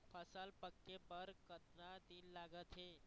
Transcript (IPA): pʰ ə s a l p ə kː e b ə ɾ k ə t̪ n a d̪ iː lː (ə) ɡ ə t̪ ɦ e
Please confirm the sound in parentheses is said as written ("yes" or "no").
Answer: no